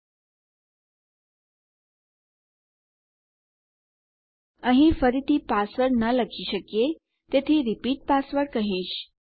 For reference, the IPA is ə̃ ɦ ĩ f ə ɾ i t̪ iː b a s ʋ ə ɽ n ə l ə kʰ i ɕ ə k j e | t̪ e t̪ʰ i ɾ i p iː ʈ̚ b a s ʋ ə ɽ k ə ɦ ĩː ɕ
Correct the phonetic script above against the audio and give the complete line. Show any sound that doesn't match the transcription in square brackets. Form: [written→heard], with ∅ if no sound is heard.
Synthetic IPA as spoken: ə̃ ɦ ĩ f ə ɾ i t̪ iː [b→p] a s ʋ ə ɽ n ə l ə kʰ i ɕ ə k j e | t̪ e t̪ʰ i ɾ i p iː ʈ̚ [b→p] a s ʋ ə ɽ k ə ɦ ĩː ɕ